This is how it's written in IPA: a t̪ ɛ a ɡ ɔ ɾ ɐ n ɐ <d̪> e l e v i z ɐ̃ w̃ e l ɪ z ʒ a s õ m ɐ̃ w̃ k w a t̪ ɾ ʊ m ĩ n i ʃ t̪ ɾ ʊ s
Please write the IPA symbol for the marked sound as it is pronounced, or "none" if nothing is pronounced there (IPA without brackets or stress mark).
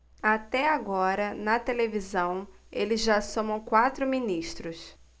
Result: t̪